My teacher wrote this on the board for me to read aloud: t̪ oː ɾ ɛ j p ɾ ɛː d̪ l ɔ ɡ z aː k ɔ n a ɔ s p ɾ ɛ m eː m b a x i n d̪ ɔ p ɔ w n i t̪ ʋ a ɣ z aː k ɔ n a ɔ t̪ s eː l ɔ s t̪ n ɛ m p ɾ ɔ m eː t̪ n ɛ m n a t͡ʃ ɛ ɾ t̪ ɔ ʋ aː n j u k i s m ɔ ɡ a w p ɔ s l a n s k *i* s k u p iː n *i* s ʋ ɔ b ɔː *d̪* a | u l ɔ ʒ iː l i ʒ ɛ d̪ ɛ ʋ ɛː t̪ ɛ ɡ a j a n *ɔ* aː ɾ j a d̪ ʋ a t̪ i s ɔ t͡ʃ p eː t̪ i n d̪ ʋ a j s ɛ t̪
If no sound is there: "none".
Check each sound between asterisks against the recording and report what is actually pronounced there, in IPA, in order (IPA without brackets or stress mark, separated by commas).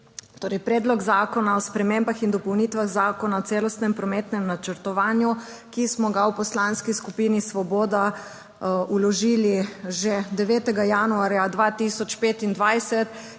i, i, d̪, u